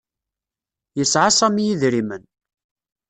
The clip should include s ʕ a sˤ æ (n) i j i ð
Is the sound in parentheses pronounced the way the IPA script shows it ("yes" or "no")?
no